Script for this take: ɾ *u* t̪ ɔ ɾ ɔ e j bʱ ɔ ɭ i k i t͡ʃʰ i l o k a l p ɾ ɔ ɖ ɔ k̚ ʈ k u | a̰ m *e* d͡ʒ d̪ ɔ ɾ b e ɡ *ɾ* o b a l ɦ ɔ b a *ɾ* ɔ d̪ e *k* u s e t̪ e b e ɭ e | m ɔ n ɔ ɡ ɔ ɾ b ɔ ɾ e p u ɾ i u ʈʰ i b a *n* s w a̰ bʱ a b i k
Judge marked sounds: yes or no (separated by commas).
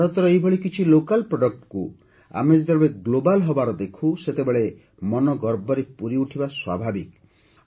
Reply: no, yes, no, yes, no, no